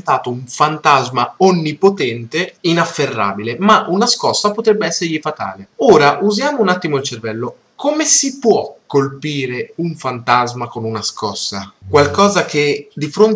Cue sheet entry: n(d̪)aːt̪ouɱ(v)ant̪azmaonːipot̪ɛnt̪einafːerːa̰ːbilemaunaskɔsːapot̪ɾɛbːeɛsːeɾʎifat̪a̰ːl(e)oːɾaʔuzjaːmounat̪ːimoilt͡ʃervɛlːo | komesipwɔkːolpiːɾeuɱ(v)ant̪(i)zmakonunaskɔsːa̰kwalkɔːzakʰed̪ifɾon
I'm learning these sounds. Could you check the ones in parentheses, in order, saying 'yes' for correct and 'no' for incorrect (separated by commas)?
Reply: no, no, yes, no, no